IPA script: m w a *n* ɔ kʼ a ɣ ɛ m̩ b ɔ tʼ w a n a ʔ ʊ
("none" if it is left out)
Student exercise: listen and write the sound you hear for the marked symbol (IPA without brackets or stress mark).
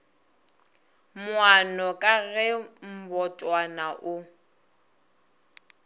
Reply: n